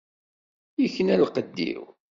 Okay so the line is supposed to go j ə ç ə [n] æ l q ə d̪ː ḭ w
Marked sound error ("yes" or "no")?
no